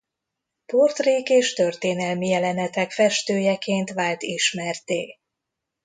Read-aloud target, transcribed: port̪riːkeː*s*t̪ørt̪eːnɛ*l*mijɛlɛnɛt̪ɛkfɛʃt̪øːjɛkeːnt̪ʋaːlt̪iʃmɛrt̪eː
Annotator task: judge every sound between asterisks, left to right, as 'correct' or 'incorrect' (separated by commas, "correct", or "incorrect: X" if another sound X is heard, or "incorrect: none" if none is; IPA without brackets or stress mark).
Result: incorrect: ʃ, correct